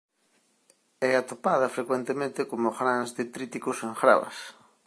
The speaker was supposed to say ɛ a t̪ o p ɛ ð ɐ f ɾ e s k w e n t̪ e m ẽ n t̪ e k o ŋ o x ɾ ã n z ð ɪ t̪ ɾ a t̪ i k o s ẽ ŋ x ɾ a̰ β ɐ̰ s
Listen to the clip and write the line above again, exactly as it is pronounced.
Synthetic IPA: ɛ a t̪ o p a ð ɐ f ɾ e k w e n t̪ e m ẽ n t̪ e k o m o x ɾ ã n z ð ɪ t̪ ɾ i t̪ i k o s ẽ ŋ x ɾ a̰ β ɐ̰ s